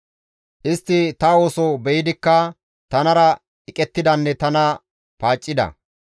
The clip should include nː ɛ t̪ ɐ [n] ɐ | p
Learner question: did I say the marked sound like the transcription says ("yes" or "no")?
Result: yes